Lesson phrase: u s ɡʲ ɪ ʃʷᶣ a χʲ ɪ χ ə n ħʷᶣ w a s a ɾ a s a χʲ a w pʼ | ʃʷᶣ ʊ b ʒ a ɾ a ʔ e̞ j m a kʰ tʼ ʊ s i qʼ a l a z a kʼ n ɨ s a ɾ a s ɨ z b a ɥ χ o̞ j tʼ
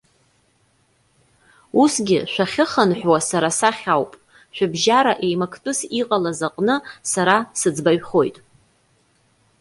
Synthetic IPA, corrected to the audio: u s ɡʲ ɪ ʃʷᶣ a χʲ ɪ χ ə n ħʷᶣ w a s a ɾ a s a χʲ a w pʼ | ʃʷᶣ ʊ b ʒ a ɾ a ʔ e̞ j m a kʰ tʼ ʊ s i qʼ a l a z a qʼ n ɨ s a ɾ a s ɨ d͡z b a ɥ χ o̞ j tʼ